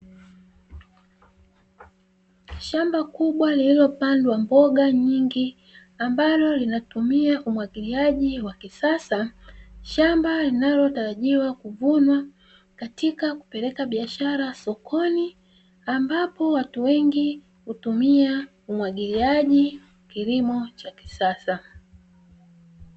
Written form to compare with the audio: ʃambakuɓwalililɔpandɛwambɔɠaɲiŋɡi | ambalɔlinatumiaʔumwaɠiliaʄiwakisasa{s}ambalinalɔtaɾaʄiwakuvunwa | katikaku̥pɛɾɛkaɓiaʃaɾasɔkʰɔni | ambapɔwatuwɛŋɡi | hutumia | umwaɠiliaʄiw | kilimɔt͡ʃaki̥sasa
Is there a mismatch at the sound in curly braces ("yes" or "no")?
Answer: yes